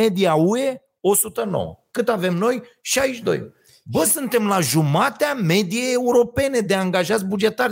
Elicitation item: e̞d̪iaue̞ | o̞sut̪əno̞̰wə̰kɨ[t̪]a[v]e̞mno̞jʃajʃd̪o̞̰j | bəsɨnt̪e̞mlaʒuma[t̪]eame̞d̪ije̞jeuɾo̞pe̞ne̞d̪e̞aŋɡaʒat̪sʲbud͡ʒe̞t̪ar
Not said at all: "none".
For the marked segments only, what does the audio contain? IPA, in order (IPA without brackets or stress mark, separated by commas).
t̪, v, t̪